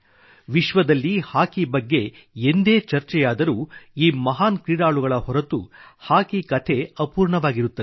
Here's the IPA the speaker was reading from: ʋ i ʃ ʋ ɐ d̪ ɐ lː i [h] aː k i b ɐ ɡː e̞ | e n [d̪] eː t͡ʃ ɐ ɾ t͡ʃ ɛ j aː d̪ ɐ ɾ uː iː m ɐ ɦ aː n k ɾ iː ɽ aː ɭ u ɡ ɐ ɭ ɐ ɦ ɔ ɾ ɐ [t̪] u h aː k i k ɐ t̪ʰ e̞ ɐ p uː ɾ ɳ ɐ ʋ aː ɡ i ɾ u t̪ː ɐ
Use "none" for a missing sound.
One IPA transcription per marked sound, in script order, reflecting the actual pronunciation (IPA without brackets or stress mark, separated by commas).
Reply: h, d̪, t̪